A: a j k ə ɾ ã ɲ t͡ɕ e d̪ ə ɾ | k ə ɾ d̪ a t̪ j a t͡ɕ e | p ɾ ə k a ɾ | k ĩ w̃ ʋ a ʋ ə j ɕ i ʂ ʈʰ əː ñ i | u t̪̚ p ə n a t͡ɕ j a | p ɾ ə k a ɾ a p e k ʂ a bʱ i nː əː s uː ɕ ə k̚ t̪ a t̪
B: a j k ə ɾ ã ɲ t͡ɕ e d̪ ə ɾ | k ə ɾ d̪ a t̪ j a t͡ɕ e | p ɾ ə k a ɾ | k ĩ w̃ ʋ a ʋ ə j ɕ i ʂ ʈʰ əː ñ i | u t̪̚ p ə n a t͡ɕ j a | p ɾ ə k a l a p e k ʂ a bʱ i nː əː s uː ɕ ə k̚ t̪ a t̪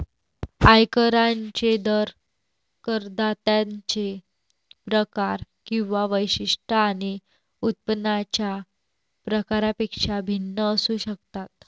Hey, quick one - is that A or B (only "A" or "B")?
A